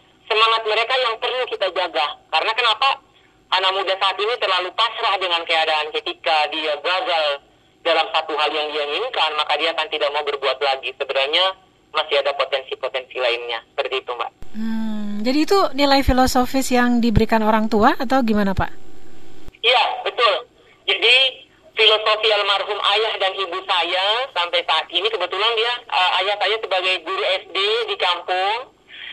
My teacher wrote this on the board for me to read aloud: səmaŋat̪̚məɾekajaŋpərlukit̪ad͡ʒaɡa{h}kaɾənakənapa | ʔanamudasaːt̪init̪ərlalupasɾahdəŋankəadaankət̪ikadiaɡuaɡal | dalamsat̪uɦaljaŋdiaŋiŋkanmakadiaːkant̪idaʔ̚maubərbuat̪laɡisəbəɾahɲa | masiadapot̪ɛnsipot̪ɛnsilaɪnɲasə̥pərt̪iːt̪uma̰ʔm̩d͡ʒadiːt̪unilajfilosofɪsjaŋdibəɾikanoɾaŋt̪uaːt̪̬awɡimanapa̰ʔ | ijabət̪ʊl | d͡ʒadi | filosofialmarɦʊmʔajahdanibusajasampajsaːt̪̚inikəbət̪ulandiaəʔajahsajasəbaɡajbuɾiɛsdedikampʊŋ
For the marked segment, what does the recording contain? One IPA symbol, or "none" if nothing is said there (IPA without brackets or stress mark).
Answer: h